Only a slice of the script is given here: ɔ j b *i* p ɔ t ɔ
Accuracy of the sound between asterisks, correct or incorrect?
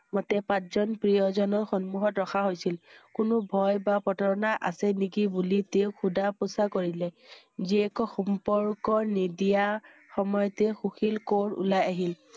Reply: incorrect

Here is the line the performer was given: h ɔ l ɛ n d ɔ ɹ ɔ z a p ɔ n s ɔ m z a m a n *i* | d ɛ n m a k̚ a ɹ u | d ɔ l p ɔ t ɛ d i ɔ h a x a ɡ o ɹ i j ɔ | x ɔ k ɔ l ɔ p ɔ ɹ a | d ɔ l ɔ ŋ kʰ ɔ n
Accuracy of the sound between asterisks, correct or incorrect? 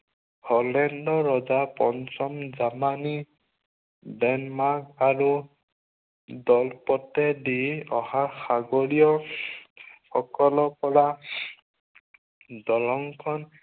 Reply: correct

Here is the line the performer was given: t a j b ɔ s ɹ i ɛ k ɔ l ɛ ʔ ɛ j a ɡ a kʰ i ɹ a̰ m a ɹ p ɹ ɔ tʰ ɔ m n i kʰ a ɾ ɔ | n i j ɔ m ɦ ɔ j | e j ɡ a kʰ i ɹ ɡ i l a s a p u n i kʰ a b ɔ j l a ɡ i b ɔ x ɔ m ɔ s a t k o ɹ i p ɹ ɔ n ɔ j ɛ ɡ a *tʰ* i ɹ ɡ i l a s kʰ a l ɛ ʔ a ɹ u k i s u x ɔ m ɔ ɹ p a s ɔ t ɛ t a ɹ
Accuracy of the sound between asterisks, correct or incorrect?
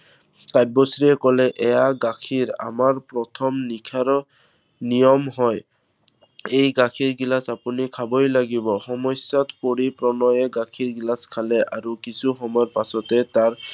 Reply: incorrect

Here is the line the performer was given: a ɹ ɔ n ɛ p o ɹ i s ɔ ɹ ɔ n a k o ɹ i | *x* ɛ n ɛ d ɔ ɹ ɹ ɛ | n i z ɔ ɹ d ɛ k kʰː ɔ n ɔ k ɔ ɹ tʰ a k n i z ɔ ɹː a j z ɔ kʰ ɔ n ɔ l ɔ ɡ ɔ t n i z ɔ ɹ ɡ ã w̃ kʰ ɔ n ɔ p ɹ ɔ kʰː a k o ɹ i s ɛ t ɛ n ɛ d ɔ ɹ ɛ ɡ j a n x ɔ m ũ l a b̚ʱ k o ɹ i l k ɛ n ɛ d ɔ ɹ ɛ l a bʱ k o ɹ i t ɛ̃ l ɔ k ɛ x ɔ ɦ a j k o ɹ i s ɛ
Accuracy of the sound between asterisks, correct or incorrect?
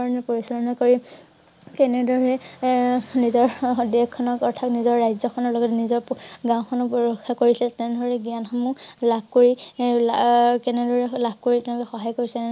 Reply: incorrect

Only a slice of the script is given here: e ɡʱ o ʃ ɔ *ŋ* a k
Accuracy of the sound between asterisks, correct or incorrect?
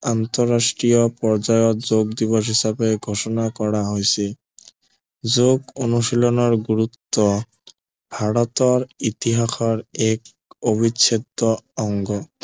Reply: incorrect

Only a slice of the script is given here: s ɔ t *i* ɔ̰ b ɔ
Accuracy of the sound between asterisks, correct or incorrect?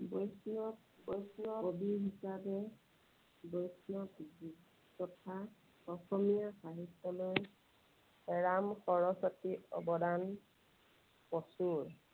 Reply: correct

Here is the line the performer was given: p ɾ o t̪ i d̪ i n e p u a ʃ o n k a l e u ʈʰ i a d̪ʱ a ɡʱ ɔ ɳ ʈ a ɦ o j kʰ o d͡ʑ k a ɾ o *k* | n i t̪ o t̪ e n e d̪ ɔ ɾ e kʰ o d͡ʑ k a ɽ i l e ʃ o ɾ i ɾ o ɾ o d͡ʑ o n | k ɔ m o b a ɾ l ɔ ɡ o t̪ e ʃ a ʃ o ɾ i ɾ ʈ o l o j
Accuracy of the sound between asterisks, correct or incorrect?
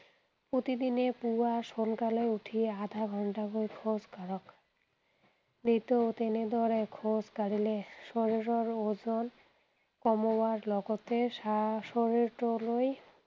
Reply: correct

